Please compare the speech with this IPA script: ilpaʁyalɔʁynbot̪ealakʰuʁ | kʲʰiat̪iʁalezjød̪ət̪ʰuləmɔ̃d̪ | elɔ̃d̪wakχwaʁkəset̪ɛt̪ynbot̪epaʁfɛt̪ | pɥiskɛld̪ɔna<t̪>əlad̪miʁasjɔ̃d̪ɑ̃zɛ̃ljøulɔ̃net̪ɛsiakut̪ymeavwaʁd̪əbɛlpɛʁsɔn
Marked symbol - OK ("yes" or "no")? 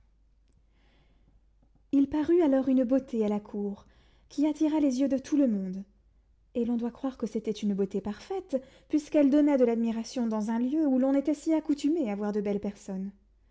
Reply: no